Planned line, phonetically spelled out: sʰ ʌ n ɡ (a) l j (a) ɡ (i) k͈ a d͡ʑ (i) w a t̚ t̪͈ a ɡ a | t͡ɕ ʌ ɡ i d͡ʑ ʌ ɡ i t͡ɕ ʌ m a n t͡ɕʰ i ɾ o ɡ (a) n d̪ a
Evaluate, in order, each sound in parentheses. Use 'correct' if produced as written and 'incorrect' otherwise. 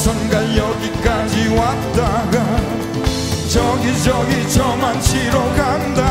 correct, incorrect: ʌ, correct, correct, correct

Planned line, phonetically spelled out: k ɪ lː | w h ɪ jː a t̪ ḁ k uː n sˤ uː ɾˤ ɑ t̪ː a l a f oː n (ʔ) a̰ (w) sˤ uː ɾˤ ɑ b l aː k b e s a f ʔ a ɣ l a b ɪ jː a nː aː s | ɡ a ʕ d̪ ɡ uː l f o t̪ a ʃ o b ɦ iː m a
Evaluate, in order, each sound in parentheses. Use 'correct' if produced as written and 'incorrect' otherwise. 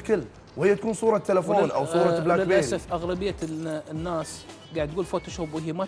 correct, correct

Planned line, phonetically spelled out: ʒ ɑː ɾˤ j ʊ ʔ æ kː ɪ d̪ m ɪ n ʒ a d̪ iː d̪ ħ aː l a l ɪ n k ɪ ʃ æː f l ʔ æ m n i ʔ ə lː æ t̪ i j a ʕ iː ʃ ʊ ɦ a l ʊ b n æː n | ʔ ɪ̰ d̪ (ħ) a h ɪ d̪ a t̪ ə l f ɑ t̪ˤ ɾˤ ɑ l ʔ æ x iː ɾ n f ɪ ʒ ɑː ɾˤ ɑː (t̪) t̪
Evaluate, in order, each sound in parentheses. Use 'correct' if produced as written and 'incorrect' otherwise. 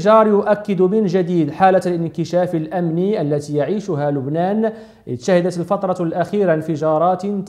incorrect: ʃ, correct

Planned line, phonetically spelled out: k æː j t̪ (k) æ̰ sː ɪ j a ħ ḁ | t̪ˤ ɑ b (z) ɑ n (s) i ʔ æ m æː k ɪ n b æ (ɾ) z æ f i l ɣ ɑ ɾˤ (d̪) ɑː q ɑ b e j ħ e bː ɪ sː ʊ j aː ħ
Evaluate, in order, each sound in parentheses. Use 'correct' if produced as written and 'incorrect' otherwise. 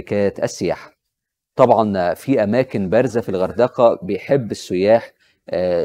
incorrect: ʔ, incorrect: ʕ, incorrect: f, correct, correct

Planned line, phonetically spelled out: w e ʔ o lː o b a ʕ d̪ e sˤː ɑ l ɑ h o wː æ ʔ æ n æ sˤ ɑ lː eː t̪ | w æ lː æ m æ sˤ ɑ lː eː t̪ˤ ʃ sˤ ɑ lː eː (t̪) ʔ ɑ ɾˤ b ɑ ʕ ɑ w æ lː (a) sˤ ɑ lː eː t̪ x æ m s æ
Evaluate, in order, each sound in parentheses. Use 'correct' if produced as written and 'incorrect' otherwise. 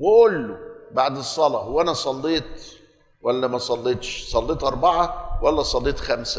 correct, incorrect: æ

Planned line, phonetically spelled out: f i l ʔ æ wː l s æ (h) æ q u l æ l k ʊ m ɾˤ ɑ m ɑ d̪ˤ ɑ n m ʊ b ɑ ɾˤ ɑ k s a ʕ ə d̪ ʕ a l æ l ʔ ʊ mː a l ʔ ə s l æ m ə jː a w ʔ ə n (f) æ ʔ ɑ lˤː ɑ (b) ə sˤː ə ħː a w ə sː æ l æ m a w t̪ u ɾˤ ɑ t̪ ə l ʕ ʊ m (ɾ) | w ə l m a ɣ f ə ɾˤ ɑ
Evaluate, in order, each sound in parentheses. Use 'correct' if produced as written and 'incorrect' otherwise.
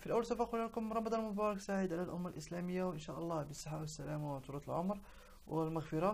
incorrect: f, incorrect: ʃ, correct, correct

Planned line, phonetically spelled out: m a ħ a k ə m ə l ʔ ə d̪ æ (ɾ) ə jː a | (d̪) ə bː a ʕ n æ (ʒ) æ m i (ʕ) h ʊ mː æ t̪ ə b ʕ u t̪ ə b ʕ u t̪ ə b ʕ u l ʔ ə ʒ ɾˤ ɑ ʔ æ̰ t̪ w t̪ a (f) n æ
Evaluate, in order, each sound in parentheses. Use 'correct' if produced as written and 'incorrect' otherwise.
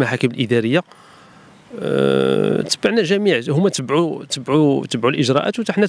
correct, incorrect: t̪, correct, correct, incorrect: ħ

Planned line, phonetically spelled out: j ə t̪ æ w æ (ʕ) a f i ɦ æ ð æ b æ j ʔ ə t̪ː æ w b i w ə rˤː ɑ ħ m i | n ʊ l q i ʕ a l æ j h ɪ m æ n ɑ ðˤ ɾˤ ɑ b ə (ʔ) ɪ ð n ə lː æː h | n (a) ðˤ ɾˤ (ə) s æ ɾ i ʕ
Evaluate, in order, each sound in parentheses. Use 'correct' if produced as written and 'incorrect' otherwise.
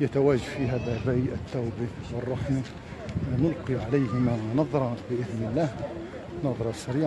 incorrect: ʒ, correct, incorrect: ɑ, incorrect: ɑ

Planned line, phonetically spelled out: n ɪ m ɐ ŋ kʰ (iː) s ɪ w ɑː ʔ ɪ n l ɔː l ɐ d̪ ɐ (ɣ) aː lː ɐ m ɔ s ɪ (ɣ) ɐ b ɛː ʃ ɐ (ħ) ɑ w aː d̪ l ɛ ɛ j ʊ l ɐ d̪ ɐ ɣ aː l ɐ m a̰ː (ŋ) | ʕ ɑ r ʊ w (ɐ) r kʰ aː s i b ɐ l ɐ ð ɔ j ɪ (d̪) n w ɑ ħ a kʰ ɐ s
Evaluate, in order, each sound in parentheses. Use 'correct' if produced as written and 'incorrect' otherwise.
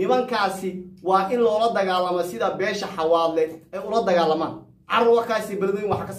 incorrect: aː, correct, incorrect: ð, correct, incorrect: n, incorrect: ɑ, incorrect: none

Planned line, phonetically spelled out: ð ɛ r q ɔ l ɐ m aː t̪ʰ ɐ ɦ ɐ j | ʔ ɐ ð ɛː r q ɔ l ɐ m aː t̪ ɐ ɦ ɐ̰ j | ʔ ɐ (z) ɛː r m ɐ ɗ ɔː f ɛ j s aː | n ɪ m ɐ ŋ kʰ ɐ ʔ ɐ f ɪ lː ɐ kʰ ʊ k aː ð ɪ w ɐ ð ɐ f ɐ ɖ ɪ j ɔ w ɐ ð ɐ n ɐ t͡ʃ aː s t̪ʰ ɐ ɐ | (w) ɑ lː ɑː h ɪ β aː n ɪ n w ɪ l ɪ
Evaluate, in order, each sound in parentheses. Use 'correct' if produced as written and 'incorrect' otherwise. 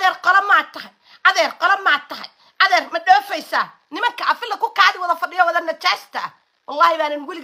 incorrect: ð, correct

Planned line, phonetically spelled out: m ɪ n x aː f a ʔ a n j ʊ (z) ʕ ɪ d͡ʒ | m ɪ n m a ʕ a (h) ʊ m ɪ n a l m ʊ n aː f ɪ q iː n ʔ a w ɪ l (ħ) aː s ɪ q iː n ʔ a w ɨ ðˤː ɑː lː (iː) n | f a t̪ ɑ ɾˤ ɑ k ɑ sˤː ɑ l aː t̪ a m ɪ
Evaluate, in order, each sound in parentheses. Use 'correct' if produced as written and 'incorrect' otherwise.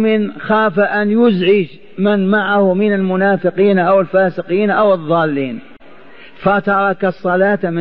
correct, correct, incorrect: f, correct

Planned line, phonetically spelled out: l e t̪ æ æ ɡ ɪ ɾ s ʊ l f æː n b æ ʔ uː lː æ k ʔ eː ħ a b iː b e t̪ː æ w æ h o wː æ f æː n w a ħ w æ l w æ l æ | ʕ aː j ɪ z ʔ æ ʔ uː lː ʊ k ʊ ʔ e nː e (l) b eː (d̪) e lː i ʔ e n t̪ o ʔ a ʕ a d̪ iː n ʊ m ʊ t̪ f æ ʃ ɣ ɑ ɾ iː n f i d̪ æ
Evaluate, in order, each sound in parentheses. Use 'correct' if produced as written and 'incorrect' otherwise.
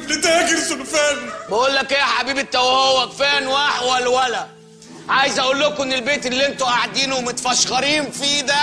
correct, incorrect: t̪

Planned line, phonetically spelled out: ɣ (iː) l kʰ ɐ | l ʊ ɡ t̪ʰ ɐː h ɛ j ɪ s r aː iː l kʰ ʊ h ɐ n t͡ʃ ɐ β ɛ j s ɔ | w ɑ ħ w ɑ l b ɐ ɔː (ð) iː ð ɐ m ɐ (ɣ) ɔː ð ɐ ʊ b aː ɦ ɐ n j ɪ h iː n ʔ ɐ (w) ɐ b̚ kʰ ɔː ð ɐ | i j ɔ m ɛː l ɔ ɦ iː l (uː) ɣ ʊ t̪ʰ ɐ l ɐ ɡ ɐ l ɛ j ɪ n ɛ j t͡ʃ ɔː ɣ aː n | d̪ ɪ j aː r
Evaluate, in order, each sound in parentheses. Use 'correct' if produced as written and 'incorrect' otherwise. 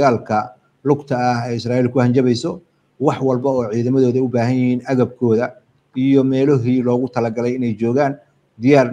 incorrect: aː, incorrect: ʕ, incorrect: ð, incorrect: ɣ, incorrect: ɔː

